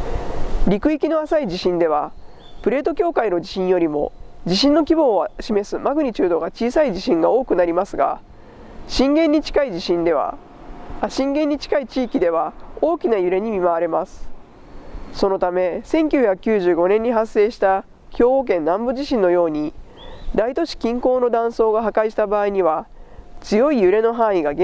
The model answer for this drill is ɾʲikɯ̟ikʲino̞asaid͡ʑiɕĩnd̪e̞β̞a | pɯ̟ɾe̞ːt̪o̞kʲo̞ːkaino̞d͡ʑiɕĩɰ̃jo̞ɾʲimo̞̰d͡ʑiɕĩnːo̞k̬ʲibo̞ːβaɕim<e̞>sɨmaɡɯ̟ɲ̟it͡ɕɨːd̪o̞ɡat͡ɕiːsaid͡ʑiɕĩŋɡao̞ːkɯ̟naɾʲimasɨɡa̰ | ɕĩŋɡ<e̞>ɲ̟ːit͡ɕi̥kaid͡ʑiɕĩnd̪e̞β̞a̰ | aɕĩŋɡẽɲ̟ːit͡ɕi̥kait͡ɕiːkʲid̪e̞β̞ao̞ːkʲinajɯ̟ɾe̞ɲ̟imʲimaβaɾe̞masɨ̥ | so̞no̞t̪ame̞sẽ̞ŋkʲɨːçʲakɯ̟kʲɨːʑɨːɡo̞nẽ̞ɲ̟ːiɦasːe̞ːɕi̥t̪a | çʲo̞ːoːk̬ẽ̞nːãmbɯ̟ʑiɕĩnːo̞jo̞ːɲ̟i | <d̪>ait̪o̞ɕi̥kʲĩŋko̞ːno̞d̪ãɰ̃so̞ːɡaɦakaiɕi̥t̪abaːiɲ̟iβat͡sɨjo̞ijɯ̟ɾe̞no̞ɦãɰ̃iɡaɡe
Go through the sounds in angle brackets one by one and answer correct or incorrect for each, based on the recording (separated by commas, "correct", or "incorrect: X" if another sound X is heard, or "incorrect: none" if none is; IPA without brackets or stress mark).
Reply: correct, incorrect: ẽ̞, correct